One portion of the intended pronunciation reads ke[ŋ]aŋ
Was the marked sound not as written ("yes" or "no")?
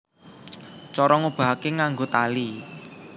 no